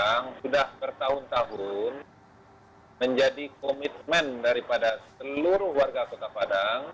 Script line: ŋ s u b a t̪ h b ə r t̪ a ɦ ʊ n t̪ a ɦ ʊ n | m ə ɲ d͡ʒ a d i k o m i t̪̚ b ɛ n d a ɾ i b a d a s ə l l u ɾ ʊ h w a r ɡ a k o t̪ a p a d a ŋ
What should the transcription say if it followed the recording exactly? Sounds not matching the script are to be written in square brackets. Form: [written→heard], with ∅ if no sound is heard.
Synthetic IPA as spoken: ŋ s u [b→d] a [t̪→∅] h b ə r t̪ a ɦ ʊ n t̪ a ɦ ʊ n | m ə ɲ d͡ʒ a d i k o m i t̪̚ [b→m] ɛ n d a ɾ i [b→p] a d a s ə l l u ɾ ʊ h w a r ɡ a k o t̪ a p a d a ŋ